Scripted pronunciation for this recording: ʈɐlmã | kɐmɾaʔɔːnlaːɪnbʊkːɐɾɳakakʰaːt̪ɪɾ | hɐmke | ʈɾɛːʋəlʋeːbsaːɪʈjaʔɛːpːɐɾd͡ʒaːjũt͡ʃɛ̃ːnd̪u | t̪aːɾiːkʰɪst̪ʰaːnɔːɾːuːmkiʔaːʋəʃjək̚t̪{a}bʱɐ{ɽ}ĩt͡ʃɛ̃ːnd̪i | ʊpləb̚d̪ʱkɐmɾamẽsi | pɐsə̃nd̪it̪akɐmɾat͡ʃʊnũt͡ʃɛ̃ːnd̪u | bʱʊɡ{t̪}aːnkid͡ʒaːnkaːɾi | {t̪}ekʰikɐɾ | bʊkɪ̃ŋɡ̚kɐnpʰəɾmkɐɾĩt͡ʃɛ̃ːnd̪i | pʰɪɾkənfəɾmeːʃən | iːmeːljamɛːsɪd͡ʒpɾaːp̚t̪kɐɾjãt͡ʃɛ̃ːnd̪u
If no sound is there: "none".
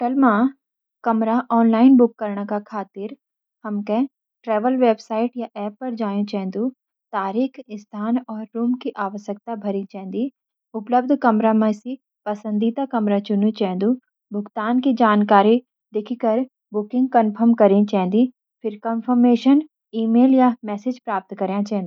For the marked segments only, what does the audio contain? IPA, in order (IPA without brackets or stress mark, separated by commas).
a, ɾ, t̪, d̪